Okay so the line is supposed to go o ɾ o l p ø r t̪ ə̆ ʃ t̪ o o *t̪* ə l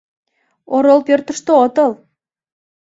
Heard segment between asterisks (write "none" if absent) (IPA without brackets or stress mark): t̪